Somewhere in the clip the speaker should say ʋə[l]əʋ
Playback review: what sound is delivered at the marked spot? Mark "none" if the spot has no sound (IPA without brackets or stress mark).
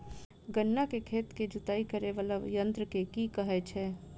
l